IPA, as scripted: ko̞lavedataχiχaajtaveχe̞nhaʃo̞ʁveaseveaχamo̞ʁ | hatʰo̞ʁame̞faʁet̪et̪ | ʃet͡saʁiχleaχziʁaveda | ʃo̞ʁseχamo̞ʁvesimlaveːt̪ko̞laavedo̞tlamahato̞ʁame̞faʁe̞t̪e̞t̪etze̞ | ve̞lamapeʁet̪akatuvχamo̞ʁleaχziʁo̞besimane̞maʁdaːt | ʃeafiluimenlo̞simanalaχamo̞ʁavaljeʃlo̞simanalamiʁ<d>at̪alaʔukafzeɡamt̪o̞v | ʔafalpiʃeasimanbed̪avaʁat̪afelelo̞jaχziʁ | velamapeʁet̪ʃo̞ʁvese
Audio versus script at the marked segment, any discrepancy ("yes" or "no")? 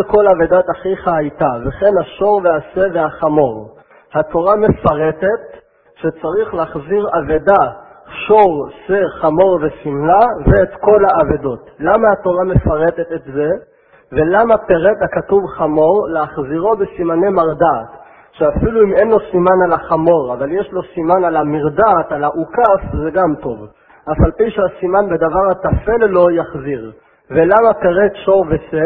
no